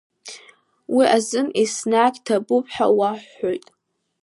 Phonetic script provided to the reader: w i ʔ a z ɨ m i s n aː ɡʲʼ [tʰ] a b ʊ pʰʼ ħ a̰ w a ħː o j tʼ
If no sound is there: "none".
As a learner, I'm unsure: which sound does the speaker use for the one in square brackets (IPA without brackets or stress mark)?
tʰ